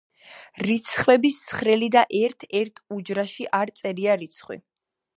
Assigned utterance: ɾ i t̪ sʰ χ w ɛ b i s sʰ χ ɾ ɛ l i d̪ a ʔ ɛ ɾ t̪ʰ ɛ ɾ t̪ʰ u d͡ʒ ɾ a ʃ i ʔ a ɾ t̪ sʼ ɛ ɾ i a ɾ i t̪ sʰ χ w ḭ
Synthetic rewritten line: ɾ i t̪ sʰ χ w ɛ b i s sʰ χ ɾ ɛ l i d̪ a ʔ ɛ ɾ t̪ʰ ɛ ɾ t̪ʰ u d͡ʒ ɾ a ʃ i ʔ a ɾ t̪ sʼ ɛ ɾ i a ɾ i t̪ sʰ χ w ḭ